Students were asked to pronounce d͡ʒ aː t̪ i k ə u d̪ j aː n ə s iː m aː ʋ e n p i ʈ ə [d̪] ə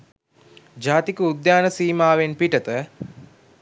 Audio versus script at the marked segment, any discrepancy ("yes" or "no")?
yes